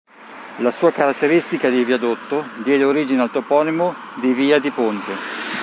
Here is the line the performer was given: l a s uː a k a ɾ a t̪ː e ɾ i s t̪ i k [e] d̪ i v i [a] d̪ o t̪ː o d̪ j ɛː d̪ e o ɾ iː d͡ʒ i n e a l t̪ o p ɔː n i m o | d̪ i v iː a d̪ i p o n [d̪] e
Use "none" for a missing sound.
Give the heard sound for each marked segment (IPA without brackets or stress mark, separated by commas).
a, a, t̪